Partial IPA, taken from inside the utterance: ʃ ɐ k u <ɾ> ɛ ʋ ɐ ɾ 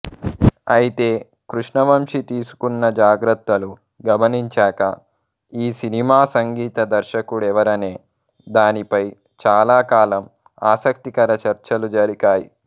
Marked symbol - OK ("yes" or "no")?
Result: no